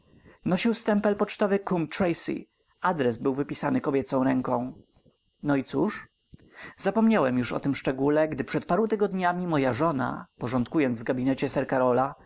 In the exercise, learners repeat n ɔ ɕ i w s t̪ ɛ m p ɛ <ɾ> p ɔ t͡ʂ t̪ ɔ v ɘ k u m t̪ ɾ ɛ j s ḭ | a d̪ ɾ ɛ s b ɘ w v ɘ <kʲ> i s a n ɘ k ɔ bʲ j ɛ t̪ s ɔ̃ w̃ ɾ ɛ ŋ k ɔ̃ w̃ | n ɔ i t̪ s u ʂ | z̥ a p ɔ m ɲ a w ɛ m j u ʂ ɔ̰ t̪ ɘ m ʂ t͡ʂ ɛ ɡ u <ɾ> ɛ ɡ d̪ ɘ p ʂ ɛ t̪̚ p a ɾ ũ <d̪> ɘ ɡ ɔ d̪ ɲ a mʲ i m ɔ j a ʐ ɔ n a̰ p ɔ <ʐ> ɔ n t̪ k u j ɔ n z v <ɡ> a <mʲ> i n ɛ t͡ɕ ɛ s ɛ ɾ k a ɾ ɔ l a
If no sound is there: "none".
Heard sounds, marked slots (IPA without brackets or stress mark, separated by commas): l, pʲ, l, t̪, ʐ, ɡ, bʲ